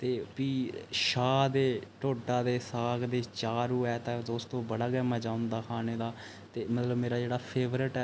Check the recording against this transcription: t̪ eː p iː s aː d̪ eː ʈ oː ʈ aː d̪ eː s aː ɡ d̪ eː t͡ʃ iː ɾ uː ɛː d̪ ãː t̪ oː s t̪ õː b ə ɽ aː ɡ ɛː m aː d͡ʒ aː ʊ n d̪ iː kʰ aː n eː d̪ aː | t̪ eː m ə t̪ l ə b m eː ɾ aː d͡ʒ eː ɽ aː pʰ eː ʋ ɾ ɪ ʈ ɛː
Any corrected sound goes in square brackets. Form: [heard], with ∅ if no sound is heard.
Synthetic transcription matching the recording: t̪ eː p iː [ʃ] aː d̪ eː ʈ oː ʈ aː d̪ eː s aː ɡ d̪ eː t͡ʃ [aː] ɾ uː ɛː [t̪] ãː [d̪] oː s t̪ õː b ə ɽ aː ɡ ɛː m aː d͡ʒ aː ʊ n d̪ [aː] kʰ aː n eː d̪ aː | t̪ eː m ə t̪ l ə b m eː ɾ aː d͡ʒ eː ɽ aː pʰ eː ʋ ɾ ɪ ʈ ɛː

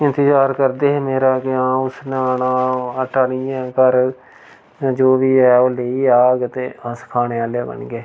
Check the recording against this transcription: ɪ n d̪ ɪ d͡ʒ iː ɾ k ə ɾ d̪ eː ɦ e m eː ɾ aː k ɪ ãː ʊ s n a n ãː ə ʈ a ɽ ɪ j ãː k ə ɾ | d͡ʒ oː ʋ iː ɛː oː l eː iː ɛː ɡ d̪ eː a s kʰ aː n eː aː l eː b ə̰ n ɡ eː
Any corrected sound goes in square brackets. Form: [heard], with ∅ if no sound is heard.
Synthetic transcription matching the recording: ɪ n [t̪] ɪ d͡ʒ [aː] ɾ k ə ɾ d̪ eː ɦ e m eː ɾ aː k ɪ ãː ʊ s n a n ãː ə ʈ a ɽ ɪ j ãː k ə ɾ | d͡ʒ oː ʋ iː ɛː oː l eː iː [aː] ɡ [t̪] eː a s kʰ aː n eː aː l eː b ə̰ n ɡ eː

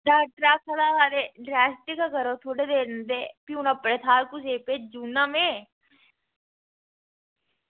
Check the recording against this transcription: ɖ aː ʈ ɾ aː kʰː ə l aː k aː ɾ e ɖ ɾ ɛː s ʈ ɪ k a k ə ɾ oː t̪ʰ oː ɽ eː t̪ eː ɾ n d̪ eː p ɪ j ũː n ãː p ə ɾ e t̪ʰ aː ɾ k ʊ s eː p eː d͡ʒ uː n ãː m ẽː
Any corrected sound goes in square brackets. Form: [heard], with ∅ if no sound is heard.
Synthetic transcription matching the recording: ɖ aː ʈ ɾ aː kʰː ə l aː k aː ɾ e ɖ ɾ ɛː s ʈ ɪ k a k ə ɾ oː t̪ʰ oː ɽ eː [d̪] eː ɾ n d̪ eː p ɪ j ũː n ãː p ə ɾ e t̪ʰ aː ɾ k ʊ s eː p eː d͡ʒ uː n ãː m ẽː

